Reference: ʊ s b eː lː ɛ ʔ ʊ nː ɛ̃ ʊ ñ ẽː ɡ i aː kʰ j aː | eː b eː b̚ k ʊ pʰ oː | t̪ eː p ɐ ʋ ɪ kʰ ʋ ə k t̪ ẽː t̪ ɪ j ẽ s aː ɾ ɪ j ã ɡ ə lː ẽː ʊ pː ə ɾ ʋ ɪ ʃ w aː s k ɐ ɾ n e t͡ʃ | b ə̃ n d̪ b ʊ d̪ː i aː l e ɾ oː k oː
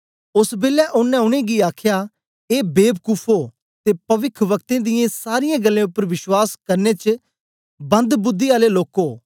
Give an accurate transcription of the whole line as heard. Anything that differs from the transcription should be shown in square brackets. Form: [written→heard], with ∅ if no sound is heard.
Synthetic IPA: ʊ s b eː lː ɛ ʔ ʊ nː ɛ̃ ʊ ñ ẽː ɡ i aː kʰ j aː | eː b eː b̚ k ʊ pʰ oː | t̪ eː p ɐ ʋ ɪ kʰ ʋ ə k t̪ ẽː [t̪→d̪] ɪ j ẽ s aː ɾ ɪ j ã ɡ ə lː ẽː ʊ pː ə ɾ ʋ ɪ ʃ w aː s k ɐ ɾ n e t͡ʃ | b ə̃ n d̪ b ʊ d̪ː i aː l e [ɾ→l] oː k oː